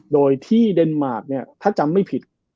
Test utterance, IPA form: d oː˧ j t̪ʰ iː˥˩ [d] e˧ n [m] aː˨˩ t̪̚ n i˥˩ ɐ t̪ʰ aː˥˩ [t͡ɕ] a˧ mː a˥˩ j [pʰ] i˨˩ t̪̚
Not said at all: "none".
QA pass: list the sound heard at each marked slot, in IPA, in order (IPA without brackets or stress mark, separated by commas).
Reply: d, m, t͡ɕ, pʰ